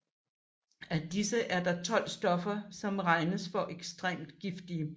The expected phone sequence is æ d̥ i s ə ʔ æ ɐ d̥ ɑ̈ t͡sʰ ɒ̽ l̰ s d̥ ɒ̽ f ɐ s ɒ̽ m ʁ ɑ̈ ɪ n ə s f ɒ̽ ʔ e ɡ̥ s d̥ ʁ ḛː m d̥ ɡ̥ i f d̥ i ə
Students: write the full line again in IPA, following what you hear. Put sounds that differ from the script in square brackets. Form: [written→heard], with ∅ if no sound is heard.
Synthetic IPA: æ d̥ i s ə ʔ æ ɐ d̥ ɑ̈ t͡sʰ ɒ̽ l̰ s d̥ ɒ̽ f ɐ s ɒ̽ m ʁ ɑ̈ ɪ n ə s f ɒ̽ ʔ e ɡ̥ s d̥ ʁ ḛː m d̥ ɡ̥ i f d̥ i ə